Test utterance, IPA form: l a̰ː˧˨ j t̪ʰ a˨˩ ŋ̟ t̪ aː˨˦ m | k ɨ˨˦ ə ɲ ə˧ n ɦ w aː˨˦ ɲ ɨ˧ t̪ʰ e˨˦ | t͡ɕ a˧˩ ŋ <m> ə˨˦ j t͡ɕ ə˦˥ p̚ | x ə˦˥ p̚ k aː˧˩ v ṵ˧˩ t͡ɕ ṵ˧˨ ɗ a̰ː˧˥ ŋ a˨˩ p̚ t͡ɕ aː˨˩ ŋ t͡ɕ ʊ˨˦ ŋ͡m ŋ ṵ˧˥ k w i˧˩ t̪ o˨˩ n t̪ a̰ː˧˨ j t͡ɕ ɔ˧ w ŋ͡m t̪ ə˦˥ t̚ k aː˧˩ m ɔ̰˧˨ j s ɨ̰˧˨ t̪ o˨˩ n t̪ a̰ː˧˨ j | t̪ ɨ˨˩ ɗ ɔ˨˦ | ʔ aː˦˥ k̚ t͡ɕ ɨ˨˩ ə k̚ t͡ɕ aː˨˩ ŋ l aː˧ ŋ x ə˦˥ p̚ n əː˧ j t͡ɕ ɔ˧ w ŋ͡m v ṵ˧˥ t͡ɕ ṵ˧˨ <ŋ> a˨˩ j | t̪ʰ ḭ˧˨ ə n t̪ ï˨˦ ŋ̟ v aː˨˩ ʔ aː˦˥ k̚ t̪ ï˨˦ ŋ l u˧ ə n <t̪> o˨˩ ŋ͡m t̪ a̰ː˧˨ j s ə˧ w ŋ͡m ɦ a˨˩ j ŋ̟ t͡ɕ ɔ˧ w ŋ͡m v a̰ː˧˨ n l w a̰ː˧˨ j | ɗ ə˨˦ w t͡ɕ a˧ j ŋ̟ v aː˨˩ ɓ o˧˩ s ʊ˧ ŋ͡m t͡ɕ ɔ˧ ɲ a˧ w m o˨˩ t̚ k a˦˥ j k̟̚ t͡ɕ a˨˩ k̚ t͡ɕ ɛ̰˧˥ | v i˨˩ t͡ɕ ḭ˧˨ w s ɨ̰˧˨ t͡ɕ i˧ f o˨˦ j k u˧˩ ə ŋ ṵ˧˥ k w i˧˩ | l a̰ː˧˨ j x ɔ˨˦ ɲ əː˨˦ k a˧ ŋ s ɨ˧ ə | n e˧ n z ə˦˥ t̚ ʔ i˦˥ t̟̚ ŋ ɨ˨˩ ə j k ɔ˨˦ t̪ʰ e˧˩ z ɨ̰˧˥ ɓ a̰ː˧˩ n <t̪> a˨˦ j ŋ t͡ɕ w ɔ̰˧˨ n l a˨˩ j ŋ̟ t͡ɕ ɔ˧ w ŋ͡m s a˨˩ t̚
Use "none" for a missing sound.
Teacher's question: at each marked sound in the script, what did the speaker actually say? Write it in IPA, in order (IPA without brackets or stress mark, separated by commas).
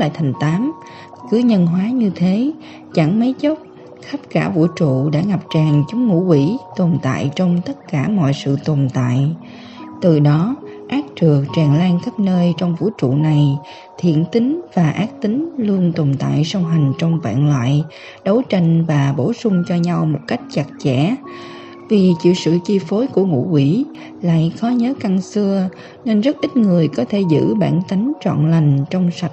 m, n, t̪, t̪